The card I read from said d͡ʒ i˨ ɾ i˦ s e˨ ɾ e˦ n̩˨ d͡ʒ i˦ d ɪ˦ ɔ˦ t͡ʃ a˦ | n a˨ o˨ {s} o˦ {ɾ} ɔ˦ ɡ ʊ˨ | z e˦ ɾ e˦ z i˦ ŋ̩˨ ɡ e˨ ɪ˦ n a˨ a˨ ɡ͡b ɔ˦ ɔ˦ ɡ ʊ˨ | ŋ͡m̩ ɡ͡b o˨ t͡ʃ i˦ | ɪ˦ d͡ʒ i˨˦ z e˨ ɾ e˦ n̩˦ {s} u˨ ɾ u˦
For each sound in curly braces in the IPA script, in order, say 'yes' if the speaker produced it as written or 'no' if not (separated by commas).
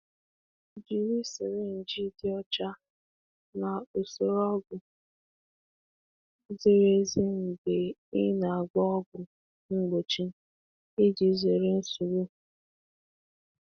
yes, yes, yes